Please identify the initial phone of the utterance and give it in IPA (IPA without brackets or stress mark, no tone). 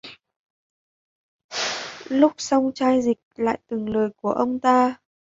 l